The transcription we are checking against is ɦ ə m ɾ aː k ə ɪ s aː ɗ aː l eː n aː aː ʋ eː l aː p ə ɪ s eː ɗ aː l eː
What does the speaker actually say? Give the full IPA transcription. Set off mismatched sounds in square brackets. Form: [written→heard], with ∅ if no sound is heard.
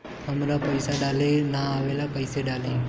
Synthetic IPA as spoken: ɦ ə m ɾ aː [k→p] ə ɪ s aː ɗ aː l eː n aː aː ʋ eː l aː p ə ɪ s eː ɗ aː l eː